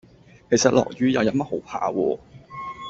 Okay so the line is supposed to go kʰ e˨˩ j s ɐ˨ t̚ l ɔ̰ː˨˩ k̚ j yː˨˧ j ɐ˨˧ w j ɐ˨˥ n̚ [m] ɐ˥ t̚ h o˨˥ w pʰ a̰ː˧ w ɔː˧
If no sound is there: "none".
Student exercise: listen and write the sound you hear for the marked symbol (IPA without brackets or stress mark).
m